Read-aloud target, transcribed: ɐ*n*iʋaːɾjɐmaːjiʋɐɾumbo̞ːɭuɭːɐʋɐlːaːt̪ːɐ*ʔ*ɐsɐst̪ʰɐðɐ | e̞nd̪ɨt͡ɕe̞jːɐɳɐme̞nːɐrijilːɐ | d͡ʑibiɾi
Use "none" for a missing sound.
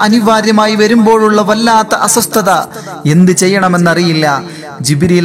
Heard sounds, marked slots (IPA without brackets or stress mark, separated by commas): n, ʔ